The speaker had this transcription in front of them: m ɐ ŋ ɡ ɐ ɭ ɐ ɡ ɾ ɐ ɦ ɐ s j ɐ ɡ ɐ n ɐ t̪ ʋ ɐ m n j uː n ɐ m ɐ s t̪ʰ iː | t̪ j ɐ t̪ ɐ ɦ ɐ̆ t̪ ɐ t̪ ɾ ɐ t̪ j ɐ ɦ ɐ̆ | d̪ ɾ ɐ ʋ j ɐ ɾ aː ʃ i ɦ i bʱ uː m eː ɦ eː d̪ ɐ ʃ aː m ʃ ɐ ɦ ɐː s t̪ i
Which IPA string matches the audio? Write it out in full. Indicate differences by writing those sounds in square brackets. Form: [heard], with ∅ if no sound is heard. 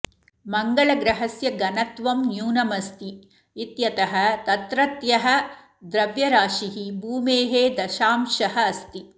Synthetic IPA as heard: m ɐ ŋ ɡ ɐ ɭ ɐ ɡ ɾ ɐ ɦ ɐ s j ɐ ɡ ɐ n ɐ t̪ ʋ ɐ m n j uː n ɐ m ɐ s [t̪] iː | t̪ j ɐ t̪ ɐ ɦ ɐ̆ t̪ ɐ t̪ ɾ ɐ t̪ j ɐ ɦ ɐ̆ | d̪ ɾ ɐ ʋ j ɐ ɾ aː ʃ i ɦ i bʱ uː m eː ɦ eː d̪ ɐ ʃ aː m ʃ ɐ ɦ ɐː s t̪ i